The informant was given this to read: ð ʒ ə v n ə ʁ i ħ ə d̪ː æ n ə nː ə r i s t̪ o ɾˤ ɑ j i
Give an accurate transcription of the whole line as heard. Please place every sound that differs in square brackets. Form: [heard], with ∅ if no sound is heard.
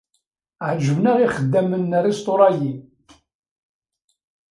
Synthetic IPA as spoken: [ʕ] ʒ ə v n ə ʁ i [χ] ə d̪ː æ [m] ə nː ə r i s t̪ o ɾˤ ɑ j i